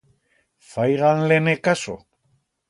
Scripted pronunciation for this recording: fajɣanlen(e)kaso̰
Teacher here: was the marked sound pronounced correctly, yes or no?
yes